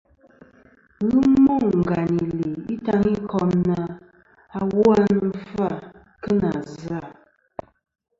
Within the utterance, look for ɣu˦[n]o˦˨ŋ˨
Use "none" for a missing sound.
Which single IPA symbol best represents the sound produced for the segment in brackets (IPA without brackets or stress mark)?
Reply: m